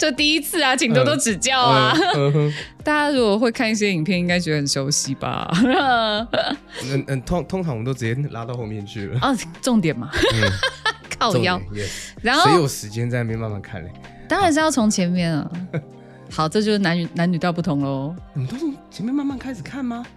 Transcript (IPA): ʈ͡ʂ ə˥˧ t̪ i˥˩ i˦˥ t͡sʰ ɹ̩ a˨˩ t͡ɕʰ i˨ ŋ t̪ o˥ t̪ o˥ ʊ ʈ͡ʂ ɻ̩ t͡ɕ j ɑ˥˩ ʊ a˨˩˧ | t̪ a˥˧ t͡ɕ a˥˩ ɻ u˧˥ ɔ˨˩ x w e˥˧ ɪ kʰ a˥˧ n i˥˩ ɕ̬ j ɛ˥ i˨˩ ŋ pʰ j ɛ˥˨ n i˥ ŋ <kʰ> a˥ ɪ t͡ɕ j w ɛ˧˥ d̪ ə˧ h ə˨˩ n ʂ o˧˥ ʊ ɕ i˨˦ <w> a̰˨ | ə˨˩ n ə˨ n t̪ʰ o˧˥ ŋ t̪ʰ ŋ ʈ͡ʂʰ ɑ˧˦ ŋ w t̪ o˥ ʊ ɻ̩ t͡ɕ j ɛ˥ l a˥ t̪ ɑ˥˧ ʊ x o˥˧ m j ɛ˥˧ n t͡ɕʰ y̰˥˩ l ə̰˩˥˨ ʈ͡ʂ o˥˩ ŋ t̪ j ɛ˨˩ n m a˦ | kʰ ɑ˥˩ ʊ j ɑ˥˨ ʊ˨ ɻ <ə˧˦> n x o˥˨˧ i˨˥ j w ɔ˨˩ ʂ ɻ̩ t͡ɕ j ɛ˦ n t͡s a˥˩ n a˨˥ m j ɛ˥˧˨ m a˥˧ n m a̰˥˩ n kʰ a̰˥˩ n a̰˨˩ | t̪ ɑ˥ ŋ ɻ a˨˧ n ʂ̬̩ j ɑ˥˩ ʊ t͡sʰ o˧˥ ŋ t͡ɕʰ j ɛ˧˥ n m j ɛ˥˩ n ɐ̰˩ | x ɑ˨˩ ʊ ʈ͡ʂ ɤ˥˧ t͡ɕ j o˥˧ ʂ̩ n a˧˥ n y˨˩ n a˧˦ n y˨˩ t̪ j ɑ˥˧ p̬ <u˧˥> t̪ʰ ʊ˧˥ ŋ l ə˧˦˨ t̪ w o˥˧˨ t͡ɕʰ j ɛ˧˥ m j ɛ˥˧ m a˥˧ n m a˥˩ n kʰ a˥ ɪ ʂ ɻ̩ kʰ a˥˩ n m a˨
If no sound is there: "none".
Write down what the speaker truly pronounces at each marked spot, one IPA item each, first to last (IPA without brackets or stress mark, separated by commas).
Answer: k, b, a˧˦, u˥˩